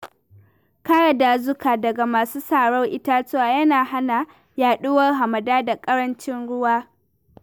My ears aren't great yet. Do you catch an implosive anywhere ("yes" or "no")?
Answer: yes